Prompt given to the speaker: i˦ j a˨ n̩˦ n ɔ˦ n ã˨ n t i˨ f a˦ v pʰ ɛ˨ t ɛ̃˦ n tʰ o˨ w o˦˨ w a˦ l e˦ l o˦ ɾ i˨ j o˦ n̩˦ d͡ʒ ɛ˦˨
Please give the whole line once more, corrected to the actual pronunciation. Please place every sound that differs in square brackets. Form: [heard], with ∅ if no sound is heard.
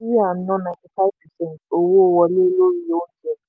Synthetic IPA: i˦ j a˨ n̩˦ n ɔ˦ n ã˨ n t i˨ f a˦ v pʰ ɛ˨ [s] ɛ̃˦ n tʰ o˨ w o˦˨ w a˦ l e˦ l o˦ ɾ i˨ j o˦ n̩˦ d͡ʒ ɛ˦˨